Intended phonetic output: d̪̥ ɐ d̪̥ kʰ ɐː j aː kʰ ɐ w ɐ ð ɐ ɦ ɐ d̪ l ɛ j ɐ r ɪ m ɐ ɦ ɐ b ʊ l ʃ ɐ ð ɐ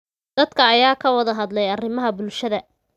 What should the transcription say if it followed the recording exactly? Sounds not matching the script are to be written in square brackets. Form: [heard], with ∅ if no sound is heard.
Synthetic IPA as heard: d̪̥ ɐ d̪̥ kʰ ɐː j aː kʰ ɐ w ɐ ð ɐ ɦ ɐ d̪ l ɛ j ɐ r ɪ m ɐ ɦ ɐ b ʊ l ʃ ɐ ð ɐ